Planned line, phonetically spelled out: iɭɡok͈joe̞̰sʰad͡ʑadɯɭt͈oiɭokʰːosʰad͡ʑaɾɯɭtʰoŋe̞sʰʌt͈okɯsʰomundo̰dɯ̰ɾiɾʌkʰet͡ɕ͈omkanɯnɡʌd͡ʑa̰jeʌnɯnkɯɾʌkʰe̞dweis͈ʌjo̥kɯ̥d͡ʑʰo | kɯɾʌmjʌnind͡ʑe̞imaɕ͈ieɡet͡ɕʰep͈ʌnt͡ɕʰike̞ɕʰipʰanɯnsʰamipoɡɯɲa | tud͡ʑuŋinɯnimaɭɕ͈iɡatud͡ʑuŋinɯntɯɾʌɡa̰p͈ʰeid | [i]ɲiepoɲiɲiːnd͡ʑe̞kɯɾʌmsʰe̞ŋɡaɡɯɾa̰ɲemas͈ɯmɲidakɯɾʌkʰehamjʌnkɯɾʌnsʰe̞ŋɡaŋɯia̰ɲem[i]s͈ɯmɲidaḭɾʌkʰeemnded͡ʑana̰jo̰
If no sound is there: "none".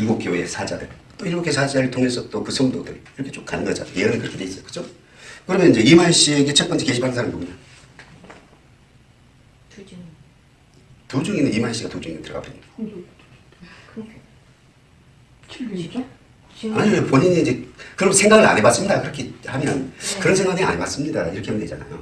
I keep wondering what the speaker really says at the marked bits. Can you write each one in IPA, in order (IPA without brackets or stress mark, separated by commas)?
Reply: a, a